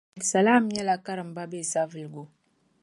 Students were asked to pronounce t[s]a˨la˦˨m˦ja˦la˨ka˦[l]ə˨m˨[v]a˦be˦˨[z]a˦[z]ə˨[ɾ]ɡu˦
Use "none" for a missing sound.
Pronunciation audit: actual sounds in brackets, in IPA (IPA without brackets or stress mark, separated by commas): s, ɾ, b, s, v, l